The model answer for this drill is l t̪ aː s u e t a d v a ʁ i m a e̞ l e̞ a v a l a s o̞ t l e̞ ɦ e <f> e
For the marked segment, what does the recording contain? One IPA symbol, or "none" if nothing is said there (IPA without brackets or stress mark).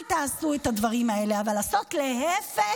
f